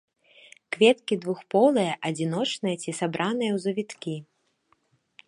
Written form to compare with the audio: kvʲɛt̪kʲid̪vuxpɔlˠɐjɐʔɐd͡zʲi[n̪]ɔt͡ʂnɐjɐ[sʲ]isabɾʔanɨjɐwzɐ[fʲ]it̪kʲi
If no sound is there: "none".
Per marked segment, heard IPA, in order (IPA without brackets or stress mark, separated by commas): n̪, t͡sʲ, vʲ